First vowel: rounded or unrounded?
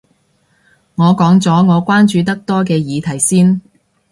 rounded